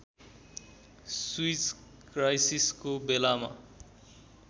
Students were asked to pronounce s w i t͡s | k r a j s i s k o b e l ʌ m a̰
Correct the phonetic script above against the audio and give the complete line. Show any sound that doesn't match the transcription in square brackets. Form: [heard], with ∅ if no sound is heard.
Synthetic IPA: s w i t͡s | k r a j s i s k o b e l [a] m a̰